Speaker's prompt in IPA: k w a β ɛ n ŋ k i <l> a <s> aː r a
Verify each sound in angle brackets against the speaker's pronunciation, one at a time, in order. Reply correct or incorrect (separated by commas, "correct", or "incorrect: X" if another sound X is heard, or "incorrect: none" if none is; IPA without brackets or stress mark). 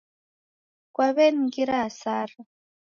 incorrect: ɾ, correct